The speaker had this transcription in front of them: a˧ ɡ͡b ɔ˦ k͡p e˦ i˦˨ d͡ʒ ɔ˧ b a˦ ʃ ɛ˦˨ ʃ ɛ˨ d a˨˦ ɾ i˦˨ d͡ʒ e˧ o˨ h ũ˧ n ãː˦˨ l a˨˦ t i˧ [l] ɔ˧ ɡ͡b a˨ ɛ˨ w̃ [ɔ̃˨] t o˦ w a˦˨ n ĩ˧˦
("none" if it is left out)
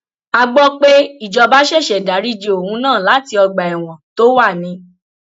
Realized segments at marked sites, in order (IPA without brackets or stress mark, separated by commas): none, ɔ̃˨